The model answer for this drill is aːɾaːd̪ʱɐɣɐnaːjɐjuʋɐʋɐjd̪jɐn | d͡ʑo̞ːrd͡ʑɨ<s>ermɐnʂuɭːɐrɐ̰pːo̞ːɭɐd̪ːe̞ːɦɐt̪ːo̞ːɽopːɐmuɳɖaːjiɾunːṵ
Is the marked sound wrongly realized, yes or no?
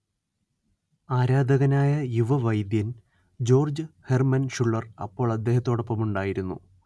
yes